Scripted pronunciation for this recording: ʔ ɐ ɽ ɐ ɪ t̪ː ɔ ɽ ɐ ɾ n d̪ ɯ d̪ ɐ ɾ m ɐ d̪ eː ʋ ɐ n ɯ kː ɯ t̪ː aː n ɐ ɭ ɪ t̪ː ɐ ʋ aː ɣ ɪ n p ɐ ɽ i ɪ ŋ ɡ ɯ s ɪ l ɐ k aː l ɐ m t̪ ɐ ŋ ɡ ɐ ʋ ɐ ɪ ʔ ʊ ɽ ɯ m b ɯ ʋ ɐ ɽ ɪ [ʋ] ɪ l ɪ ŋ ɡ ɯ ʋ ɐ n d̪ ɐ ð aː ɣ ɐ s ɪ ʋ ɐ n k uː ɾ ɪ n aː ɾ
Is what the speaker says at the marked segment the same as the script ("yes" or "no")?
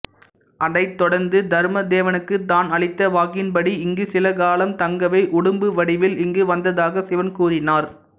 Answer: yes